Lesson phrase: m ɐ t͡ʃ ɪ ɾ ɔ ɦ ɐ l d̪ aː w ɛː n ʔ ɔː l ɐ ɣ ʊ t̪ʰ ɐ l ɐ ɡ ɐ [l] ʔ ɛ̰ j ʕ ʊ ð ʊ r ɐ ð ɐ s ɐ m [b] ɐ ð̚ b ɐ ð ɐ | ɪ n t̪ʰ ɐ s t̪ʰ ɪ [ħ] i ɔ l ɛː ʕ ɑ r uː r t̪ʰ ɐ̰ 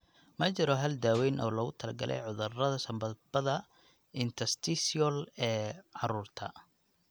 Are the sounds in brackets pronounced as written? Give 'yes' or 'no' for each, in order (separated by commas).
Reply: yes, yes, no